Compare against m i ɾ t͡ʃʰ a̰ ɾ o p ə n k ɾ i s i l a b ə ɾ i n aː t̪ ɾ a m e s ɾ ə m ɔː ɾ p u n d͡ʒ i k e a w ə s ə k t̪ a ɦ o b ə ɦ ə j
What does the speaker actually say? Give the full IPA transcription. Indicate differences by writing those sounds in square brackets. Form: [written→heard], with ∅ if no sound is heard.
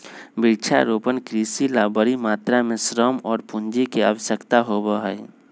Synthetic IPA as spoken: [m→b] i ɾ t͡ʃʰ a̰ ɾ o p ə n k ɾ i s i l a b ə ɾ i [n→m] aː t̪ ɾ a m e s ɾ ə m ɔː ɾ p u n d͡ʒ i k e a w ə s ə k t̪ a ɦ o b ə ɦ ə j